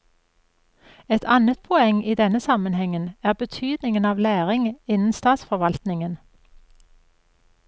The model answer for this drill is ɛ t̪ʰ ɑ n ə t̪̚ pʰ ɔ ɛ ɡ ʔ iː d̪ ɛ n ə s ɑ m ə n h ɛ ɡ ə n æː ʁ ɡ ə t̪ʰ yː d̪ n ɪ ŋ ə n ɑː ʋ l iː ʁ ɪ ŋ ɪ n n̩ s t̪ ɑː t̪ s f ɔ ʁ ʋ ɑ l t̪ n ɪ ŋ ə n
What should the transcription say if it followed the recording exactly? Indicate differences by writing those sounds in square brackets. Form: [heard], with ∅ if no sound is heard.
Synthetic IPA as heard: ɛ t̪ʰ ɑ n ə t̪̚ pʰ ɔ ɛ [ŋ] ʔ iː d̪ ɛ n ə s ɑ m ə n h ɛ [ŋ] ə n æː ʁ [b] ə t̪ʰ yː d̪ n ɪ ŋ ə n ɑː ʋ l [æː] ʁ ɪ ŋ ɪ n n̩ s t̪ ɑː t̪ s f ɔ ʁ ʋ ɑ l t̪ n ɪ ŋ ə n